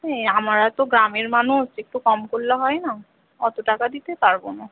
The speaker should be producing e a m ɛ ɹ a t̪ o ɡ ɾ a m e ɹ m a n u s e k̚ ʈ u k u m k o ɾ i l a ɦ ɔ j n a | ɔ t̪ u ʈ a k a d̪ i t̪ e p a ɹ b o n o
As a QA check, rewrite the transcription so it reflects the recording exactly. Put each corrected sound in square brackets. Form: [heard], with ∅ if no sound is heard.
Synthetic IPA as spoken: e a m [a] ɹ a t̪ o ɡ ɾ a m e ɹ m a n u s e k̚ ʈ u k [ɔ] m k o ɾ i l a ɦ ɔ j n a | ɔ t̪ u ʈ a k a d̪ i t̪ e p a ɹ b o n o